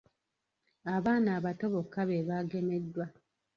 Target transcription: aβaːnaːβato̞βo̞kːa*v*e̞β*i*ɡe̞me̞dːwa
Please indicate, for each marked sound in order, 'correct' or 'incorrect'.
incorrect, incorrect

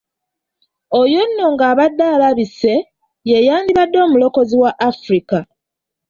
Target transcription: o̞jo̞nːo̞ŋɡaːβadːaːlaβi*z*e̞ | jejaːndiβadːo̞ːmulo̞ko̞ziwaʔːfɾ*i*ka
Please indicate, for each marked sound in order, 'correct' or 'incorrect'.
incorrect, correct

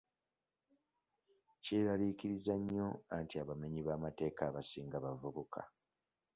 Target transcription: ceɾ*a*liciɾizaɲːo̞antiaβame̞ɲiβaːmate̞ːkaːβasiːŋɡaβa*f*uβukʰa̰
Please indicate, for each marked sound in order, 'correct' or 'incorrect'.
correct, incorrect

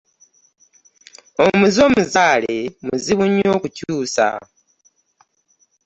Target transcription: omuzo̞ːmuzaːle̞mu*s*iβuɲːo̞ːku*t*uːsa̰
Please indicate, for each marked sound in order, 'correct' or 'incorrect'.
incorrect, incorrect

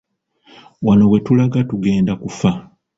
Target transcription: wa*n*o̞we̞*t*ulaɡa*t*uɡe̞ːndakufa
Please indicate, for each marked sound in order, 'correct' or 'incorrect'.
correct, correct, correct

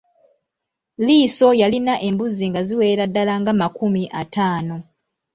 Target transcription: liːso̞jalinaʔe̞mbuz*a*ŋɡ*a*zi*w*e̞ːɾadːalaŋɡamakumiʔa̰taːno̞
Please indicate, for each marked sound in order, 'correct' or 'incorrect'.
incorrect, correct, correct

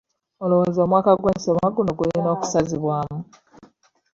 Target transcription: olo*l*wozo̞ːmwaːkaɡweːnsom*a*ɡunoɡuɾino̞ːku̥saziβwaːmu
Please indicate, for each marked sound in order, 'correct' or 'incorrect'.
incorrect, correct

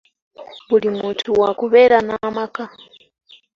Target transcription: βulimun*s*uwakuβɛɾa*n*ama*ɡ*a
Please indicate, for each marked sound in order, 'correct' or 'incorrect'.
incorrect, correct, incorrect

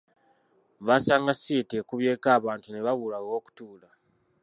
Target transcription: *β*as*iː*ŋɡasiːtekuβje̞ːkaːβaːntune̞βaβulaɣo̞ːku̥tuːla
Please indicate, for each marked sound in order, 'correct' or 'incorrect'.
correct, incorrect

